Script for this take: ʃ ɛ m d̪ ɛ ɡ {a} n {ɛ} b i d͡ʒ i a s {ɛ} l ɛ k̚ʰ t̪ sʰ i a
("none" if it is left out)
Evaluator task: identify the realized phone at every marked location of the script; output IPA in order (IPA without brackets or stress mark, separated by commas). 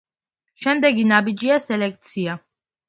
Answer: i, a, ɛ